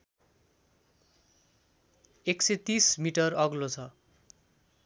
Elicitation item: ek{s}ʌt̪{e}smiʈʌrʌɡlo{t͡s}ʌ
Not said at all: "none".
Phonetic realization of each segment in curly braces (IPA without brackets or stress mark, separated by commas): s, i, t͡sʰ